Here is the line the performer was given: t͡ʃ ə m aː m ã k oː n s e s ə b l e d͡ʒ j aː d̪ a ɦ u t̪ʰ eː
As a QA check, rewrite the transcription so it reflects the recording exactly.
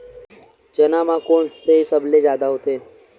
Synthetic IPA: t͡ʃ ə n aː m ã k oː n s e s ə b l e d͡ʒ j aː d̪ a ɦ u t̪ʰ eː